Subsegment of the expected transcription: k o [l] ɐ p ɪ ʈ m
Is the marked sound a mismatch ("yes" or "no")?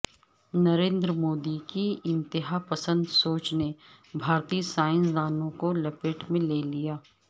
no